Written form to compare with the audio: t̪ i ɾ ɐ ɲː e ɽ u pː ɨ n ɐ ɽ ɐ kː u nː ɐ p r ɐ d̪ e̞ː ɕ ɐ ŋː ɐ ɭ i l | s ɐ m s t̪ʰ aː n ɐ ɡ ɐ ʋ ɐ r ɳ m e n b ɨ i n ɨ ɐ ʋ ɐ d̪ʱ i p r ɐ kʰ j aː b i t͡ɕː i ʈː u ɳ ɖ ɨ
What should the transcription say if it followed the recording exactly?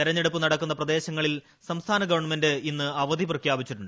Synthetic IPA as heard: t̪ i ɾ ɐ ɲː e ɽ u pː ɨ n ɐ ɽ ɐ kː u nː ɐ p r ɐ d̪ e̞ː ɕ ɐ ŋː ɐ ɭ i l | s ɐ m s t̪ʰ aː n ɐ ɡ ɐ ʋ ɐ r ɳ m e n d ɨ i nː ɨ ɐ ʋ ɐ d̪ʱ i p r ɐ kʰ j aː b i t͡ɕː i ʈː u ɳ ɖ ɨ